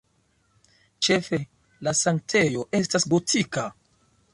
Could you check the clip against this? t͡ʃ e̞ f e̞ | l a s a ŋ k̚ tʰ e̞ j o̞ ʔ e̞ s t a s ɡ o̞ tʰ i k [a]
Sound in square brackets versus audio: correct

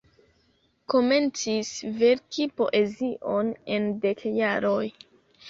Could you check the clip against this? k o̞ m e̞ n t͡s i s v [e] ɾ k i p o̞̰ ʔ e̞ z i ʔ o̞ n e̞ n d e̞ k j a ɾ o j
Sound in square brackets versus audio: correct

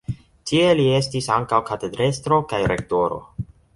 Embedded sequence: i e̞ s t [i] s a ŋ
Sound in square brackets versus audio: correct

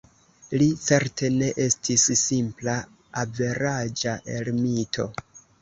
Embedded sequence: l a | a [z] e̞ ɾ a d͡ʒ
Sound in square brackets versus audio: incorrect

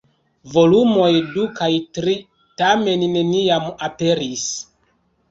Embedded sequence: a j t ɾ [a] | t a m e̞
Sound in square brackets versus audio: incorrect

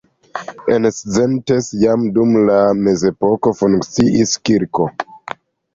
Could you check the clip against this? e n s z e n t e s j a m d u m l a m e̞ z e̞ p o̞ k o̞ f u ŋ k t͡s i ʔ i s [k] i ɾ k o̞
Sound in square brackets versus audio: correct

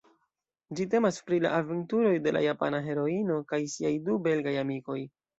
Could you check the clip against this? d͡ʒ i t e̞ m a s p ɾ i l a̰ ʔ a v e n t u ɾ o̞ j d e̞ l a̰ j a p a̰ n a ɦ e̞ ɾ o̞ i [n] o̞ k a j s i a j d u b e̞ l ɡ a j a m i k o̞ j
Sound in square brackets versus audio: correct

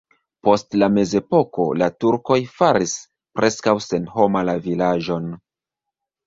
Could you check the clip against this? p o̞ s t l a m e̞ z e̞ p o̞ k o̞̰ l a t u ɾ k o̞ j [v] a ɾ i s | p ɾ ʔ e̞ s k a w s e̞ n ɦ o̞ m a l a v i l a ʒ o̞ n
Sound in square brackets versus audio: incorrect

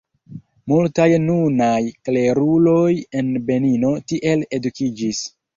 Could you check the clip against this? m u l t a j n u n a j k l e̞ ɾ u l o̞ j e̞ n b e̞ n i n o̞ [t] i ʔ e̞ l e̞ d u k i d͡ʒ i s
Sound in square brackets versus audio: correct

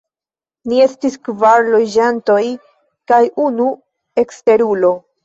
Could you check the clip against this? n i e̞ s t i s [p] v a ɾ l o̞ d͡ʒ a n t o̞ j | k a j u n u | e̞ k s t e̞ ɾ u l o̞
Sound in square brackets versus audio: incorrect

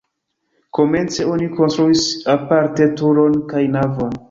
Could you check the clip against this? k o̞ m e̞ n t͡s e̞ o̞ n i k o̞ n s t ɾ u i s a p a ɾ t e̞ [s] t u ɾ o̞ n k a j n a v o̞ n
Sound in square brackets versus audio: incorrect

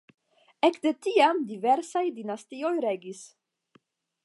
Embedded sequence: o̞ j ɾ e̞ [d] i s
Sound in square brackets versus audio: incorrect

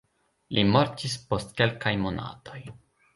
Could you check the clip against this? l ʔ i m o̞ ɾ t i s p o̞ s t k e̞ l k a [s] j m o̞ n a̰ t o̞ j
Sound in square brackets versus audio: incorrect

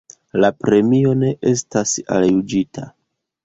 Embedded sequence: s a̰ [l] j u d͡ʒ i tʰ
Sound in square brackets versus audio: correct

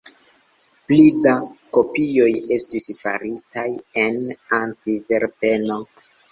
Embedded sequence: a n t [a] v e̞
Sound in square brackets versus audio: incorrect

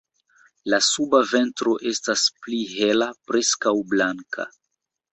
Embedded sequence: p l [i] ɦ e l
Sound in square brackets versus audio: correct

